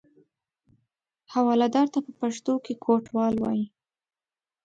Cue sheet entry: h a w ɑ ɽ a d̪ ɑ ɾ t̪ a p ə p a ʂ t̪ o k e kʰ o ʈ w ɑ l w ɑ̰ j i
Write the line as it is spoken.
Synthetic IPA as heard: h a w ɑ l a d̪ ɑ ɾ t̪ a p ə p a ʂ t̪ o k e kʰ o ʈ w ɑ l w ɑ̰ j i